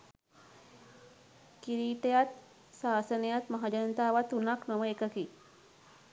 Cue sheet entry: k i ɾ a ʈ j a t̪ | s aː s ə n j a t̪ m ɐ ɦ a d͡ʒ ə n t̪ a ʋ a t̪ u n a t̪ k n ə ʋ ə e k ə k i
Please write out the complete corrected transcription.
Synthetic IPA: k i ɾ i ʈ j a t̪ | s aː s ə n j a t̪ m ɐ ɦ a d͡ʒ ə n t̪ a ʋ a t̪ u n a k n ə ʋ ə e k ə k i